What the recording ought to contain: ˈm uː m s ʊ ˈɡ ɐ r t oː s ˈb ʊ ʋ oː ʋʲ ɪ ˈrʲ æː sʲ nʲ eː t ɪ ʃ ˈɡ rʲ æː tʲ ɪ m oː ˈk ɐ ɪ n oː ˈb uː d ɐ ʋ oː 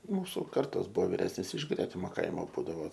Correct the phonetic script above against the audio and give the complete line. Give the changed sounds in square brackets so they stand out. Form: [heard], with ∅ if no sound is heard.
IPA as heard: ˈm uː [∅] s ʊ [ˈk] ɐ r t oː s ˈb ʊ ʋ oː ʋʲ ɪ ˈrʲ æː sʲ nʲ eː [s] ɪ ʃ ˈɡ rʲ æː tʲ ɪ m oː ˈk ɐ ɪ [m] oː ˈb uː d ɐ ʋ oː